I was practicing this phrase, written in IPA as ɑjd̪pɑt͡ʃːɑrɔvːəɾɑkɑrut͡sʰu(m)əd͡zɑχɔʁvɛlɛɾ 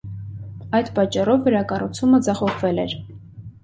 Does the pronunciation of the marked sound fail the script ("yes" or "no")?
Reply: no